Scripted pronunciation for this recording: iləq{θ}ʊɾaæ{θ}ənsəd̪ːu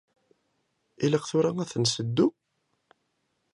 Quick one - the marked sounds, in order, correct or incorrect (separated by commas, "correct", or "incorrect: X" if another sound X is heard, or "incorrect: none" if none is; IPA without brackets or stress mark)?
correct, correct